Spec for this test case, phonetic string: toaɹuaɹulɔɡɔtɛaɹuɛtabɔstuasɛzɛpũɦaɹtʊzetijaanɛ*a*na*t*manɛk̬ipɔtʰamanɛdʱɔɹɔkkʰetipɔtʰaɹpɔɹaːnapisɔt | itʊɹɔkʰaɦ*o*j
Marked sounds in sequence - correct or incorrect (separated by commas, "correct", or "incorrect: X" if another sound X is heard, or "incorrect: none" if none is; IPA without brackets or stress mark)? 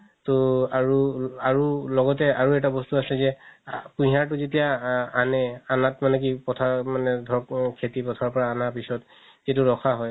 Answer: correct, correct, incorrect: ɔ